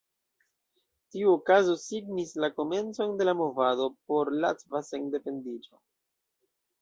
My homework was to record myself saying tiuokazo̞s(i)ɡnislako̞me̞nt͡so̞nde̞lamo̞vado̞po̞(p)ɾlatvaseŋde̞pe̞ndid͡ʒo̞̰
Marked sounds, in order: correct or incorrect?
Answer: correct, incorrect: none

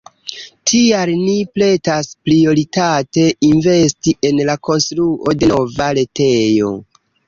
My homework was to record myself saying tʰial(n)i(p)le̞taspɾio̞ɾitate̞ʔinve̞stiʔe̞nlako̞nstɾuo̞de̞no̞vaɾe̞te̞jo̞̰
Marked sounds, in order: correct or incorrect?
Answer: correct, correct

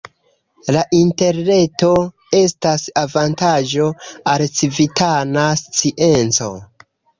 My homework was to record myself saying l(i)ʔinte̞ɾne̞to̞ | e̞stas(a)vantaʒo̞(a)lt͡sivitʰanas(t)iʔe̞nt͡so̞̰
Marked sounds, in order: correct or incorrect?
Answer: incorrect: a, correct, correct, incorrect: t͡s

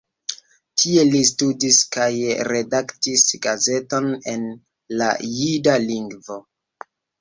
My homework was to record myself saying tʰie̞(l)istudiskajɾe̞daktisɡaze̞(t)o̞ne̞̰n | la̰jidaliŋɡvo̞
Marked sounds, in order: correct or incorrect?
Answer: correct, correct

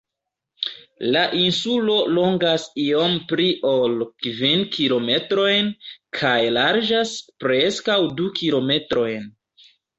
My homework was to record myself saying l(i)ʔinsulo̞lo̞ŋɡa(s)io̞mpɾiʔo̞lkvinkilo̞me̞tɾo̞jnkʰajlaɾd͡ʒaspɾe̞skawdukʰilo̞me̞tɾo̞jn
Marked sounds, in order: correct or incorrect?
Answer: incorrect: a, correct

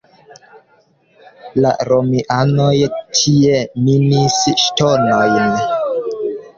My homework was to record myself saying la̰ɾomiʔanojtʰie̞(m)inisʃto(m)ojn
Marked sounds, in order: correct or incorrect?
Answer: correct, incorrect: n

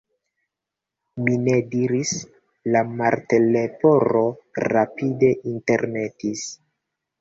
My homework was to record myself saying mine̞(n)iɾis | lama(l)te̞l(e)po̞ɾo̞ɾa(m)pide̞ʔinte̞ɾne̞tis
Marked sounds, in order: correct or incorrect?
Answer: incorrect: d, incorrect: ɾ, correct, incorrect: none

